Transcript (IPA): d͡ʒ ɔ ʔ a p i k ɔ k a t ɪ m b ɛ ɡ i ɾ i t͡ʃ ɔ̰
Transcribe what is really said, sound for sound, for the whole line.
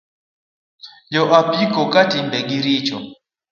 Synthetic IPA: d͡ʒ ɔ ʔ a p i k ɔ k a t i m b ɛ ɡ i ɾ i t͡ʃ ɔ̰